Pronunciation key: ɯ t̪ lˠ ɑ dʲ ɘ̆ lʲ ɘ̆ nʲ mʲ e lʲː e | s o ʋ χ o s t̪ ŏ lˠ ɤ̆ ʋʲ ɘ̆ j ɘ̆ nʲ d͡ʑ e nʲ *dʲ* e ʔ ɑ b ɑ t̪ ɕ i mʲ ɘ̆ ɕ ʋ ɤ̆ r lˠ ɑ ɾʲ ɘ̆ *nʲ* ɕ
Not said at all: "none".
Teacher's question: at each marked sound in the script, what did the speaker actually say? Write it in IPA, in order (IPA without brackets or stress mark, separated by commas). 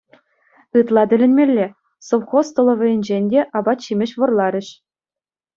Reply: dʲ, none